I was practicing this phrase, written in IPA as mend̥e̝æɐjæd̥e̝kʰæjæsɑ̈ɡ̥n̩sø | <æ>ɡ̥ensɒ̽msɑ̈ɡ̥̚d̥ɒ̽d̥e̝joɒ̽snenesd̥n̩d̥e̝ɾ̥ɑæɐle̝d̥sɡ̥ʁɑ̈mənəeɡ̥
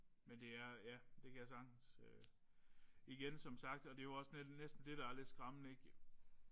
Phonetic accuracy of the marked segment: incorrect: i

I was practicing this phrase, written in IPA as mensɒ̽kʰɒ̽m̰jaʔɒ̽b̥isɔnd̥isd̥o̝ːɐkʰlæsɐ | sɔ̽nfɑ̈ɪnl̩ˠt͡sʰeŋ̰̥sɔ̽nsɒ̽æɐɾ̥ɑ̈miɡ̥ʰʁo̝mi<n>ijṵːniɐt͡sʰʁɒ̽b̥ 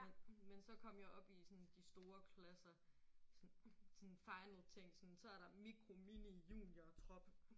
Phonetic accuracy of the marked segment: correct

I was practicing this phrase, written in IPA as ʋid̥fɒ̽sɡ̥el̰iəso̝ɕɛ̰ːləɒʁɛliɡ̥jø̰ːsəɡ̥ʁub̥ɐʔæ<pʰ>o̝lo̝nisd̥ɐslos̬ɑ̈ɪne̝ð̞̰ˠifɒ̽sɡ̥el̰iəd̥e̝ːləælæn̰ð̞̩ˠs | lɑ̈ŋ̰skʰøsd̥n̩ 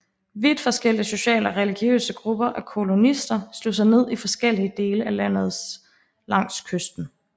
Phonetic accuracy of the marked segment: incorrect: kʰ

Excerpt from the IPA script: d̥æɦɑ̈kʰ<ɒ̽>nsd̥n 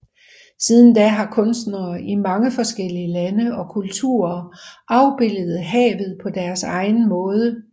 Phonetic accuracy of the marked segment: incorrect: ɔ̽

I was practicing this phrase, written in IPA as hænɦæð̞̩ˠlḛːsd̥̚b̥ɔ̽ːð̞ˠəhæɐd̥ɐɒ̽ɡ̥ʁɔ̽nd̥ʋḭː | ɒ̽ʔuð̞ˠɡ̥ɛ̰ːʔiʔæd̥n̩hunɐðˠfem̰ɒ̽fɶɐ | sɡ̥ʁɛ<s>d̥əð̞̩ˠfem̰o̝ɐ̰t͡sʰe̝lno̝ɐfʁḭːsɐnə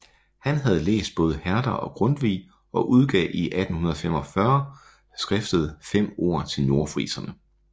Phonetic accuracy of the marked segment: incorrect: f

